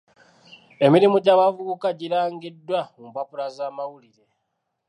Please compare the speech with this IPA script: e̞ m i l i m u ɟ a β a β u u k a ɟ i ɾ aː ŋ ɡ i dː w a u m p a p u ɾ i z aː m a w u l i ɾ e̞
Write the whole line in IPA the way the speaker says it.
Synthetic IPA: e̞ m i ɾ i m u ɟ a β a v u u k a ɟ i ɾ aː ŋ ɡ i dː w a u m p a p u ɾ a z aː m a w u l i ɾ e̞